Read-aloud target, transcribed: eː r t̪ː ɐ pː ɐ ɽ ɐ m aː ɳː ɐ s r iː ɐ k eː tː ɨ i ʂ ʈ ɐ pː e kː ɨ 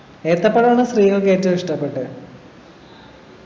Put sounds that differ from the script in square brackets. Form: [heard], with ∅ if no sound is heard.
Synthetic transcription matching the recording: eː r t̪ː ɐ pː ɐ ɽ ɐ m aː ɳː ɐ s r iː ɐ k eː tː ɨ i ʂ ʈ ɐ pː e [ʈː] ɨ